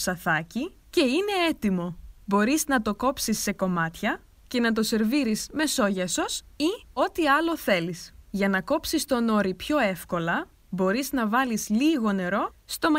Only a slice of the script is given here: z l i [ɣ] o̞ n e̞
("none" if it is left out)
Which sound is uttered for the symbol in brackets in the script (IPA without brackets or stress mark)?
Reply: ɣ